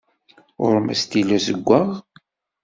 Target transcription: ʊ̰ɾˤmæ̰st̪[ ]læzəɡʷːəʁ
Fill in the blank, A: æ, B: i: B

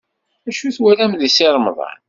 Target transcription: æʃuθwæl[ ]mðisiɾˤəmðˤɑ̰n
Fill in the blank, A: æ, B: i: A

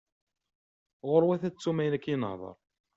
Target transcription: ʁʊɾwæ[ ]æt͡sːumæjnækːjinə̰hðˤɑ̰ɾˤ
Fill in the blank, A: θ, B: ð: A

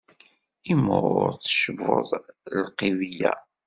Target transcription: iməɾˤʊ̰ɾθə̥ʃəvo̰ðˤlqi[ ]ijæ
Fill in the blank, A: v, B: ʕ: A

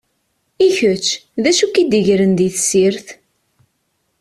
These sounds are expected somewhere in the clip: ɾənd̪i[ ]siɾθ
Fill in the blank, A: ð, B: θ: B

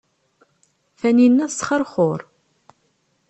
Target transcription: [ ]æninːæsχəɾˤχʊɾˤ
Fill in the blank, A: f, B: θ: A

